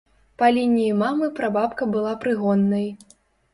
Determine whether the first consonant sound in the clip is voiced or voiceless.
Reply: voiceless